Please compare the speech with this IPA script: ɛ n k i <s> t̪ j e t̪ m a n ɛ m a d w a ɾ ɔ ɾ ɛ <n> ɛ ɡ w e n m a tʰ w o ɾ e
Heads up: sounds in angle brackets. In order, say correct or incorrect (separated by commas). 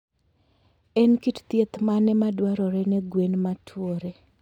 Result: incorrect, correct